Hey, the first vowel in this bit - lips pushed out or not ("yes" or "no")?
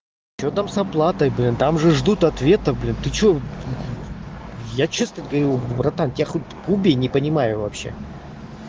yes